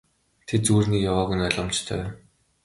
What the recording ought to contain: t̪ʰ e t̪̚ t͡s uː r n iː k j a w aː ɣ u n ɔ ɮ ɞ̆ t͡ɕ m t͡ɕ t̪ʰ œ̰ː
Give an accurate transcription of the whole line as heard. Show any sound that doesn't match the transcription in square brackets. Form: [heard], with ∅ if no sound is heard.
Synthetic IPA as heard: t̪ʰ e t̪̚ t͡s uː r n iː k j a w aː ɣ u n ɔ ɮ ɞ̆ [∅] m t͡ɕ t̪ʰ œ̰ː